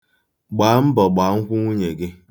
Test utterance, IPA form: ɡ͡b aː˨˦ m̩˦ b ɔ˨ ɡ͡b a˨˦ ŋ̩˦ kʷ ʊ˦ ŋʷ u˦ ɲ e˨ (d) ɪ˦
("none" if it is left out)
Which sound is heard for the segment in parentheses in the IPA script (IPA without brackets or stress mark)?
ɡ